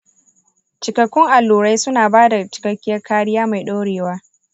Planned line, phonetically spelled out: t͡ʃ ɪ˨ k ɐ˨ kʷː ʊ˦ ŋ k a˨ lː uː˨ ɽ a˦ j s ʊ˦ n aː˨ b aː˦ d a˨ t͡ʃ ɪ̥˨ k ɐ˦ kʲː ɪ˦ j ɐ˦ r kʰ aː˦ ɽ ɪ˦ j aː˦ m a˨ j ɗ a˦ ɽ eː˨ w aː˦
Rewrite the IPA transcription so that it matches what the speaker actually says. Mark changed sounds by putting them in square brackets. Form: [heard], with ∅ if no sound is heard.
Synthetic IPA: t͡ʃ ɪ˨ k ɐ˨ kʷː ʊ˦ ŋ [ʔ] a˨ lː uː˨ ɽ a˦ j s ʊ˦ n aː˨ b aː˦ d a˨ t͡ʃ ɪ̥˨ k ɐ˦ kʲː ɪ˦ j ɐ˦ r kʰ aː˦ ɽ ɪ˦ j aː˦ m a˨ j ɗ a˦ ɽ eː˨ w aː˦